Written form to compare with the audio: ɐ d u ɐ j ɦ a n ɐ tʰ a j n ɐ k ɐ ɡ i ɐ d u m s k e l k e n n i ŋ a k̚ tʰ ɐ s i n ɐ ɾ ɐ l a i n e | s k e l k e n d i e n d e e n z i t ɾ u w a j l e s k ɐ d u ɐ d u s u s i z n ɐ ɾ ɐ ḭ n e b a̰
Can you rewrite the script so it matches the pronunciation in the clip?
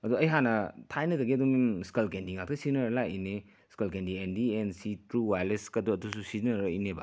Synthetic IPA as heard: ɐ d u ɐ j ɦ a n ɐ tʰ a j n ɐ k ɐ ɡ i ɐ d u m s k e l k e n d i ŋ a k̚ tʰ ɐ s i n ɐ ɾ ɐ l a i n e | s k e l k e n d i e n d i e n s i t ɾ u w a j l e s k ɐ d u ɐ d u s u s i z n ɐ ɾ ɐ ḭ n e b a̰